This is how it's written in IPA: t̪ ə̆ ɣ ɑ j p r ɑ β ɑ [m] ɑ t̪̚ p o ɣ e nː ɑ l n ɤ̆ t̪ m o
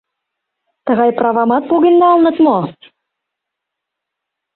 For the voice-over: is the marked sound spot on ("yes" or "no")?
yes